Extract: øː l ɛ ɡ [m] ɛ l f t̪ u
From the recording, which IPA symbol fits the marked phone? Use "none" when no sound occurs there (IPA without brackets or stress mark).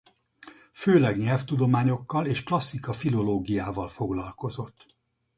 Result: ɲ